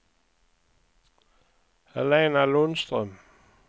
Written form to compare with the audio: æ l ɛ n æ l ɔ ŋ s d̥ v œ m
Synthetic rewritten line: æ l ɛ n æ l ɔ n s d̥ ʁ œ m